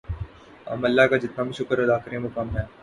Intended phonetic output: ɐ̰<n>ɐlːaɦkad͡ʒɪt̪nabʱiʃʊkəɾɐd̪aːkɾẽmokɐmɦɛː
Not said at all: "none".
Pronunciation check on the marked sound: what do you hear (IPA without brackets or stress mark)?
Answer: m